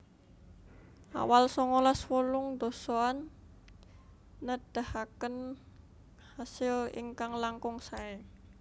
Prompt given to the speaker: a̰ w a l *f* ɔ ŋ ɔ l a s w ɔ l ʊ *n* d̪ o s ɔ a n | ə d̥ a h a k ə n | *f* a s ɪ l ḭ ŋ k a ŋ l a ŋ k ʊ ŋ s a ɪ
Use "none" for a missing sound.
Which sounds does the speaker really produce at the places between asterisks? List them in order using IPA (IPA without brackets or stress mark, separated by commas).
s, ŋ, h